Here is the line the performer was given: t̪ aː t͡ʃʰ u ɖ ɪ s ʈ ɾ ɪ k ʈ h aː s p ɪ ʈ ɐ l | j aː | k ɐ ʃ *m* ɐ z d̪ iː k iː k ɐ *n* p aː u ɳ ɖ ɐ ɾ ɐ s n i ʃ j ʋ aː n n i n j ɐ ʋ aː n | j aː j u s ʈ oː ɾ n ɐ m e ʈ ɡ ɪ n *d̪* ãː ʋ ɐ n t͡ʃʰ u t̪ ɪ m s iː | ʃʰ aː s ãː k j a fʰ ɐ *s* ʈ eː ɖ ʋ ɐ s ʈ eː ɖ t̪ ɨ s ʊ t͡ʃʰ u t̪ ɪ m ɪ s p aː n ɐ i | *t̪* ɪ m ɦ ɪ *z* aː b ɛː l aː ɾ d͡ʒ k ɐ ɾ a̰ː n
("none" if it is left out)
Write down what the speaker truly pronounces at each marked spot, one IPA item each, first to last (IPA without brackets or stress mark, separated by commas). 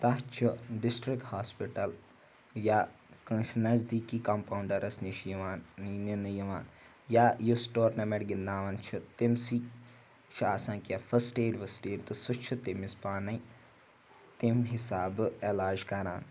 n, m, d̪, s, t̪, s